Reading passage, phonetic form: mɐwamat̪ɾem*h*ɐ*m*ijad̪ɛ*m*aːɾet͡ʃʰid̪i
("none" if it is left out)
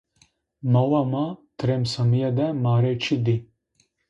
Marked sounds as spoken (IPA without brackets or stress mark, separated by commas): s, m, m